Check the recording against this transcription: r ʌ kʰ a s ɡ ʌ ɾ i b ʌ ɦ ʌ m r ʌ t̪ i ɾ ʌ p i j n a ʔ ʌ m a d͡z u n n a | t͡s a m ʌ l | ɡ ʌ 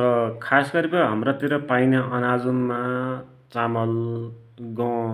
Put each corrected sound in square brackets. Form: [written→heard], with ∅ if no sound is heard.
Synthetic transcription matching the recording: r ʌ kʰ a s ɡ ʌ ɾ i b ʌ ɦ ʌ m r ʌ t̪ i ɾ ʌ p [i→a] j n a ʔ ʌ [m→n] a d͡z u n [n→m] a | t͡s a m ʌ l | ɡ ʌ